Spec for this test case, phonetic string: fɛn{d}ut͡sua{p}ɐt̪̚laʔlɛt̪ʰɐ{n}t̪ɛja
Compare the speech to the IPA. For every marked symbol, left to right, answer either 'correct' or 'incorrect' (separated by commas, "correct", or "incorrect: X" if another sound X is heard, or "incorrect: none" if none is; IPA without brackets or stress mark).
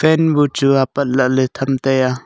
incorrect: b, correct, incorrect: m